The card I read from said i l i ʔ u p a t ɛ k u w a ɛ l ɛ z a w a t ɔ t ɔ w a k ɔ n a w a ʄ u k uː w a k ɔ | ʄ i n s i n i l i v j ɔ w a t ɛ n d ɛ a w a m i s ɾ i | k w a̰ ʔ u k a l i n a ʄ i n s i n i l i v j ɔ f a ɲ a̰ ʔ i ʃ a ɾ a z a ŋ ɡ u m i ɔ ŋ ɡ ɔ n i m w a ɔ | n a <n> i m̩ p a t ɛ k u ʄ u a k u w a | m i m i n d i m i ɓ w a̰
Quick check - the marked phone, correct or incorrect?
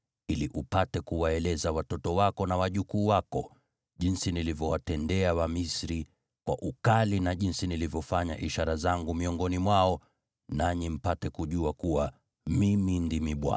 incorrect